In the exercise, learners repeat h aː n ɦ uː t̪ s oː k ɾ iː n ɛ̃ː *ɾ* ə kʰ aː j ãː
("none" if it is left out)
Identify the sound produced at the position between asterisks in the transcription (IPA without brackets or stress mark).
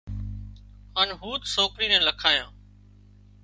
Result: l